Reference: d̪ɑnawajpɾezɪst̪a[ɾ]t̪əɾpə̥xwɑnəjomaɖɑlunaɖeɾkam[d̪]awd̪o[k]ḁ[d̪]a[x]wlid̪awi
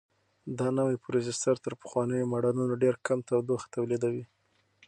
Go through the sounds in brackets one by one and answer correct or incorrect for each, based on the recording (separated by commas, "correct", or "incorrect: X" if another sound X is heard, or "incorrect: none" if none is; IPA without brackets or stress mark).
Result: correct, incorrect: t̪, incorrect: x, incorrect: t̪, incorrect: none